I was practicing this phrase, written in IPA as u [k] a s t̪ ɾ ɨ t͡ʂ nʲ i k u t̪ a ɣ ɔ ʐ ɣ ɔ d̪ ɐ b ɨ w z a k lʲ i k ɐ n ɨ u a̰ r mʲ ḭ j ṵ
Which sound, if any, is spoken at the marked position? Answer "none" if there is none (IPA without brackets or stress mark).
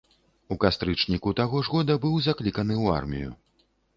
k